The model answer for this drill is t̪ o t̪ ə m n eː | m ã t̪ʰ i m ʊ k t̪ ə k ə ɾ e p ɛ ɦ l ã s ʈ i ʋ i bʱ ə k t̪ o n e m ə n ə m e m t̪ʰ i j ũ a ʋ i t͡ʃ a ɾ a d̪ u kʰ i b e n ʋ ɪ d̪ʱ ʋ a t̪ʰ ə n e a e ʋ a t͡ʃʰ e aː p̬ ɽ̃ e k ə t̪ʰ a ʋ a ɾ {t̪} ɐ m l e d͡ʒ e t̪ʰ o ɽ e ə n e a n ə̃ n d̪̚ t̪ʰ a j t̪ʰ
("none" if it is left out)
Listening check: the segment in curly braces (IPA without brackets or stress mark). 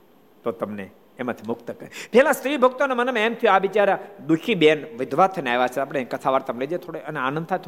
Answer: t̪